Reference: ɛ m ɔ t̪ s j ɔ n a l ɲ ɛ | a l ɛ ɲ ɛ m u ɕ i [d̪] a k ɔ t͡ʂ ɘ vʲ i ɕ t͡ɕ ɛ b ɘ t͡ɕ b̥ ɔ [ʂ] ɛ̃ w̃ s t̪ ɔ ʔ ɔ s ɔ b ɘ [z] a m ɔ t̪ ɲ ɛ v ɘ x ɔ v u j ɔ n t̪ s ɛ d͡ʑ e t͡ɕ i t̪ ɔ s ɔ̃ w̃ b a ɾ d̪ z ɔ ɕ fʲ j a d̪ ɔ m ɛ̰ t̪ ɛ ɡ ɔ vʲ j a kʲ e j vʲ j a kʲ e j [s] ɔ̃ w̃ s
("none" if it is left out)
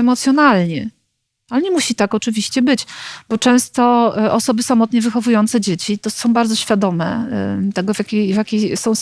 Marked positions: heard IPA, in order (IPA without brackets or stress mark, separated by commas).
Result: t̪, t͡ʂ, s, s